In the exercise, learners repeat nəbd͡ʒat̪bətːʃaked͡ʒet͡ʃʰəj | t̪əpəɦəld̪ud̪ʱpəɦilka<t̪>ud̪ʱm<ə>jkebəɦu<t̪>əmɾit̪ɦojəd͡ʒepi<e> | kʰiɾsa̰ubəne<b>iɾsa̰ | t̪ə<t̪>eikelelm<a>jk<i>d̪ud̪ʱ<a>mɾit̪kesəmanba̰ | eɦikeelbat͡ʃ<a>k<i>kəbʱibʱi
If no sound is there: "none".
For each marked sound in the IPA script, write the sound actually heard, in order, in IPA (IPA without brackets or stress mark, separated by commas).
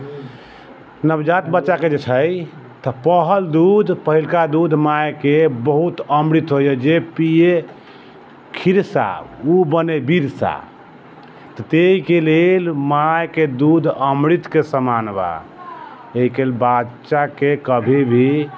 d̪, a, t̪, e, b, t̪, a, e, ə, a, e